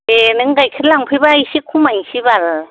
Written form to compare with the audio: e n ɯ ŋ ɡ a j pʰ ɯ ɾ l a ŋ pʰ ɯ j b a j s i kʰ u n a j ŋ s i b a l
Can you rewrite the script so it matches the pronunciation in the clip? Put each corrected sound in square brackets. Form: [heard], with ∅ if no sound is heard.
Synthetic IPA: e n ɯ ŋ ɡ a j [kʰ] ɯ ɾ l a ŋ pʰ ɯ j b a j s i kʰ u [m] a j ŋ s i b a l